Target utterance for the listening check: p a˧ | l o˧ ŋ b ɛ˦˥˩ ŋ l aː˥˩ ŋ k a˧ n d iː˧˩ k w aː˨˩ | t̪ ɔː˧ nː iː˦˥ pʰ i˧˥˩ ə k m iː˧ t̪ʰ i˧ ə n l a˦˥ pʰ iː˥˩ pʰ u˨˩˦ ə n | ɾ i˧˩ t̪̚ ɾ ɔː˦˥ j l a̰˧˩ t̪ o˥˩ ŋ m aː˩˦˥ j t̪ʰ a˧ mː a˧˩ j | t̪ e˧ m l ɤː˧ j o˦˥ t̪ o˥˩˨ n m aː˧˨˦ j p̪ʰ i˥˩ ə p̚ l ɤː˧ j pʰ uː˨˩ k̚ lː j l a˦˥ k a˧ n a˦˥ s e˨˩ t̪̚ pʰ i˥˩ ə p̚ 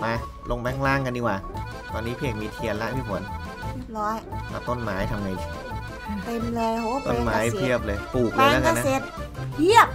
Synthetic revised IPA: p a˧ | l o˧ ŋ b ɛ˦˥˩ ŋ l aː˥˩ ŋ k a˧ n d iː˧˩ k w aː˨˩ | t̪ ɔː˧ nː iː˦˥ pʰ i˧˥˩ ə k m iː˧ t̪ʰ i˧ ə n l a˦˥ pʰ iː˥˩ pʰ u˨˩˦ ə n | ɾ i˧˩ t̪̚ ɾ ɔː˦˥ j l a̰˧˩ t̪ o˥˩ n m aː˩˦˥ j t̪ʰ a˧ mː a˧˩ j | t̪ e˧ m l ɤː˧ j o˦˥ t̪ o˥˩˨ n m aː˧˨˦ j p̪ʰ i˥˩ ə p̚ l ɤː˧ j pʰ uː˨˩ k̚ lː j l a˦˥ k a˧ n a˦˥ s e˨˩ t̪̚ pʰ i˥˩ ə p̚